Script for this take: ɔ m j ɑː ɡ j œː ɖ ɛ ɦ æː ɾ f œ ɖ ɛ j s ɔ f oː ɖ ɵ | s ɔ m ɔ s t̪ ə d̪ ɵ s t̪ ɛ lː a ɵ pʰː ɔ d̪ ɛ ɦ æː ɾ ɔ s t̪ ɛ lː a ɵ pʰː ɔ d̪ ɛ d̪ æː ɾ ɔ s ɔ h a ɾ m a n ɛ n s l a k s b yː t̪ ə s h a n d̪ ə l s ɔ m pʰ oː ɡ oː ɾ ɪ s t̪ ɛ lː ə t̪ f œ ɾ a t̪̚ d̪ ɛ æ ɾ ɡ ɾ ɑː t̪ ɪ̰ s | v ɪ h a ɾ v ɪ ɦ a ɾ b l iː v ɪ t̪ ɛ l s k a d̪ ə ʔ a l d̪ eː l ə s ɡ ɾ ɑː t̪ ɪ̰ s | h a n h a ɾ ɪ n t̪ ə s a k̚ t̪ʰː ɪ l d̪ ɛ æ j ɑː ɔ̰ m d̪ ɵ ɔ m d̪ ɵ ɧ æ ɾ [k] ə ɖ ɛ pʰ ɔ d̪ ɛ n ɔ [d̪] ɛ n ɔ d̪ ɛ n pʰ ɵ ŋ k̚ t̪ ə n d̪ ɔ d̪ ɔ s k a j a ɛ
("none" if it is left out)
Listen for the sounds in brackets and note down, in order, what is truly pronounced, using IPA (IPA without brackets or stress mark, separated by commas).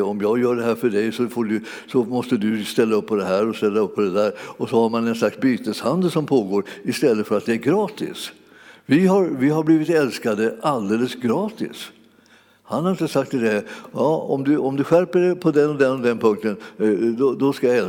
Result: p, d̪